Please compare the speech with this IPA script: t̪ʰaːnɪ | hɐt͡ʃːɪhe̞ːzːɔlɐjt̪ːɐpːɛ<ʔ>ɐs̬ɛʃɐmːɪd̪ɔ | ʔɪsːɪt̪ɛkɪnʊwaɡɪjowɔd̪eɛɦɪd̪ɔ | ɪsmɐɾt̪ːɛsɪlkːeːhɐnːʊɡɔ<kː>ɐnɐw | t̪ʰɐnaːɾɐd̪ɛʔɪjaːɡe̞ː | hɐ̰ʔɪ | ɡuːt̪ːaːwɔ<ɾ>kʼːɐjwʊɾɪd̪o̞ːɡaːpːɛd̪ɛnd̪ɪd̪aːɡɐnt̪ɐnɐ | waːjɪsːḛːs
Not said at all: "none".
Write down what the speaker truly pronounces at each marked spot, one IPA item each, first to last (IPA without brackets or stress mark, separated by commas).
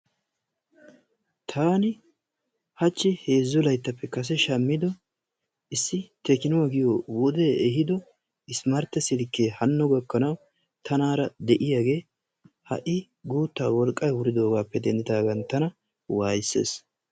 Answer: k, kː, l